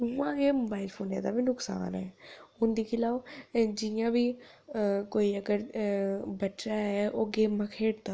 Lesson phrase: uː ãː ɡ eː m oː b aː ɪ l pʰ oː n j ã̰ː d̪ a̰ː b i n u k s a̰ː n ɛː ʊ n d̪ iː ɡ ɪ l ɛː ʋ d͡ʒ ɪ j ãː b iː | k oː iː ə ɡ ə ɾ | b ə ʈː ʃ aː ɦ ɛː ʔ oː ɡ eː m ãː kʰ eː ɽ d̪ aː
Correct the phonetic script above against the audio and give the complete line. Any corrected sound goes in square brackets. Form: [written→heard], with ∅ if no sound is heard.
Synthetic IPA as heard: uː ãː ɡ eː m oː b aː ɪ l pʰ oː n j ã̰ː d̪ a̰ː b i n [u→ʊ] k s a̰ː n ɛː ʊ n d̪ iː [ɡ→k] ɪ l [ɛː→aː] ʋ d͡ʒ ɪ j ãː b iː | k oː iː ə ɡ ə ɾ | b ə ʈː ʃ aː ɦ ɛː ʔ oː ɡ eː m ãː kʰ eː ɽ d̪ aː